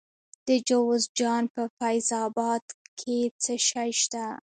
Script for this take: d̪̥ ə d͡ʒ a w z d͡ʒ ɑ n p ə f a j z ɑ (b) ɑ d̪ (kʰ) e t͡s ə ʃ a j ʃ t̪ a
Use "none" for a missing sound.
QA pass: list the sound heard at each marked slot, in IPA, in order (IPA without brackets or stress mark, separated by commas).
b, kʰ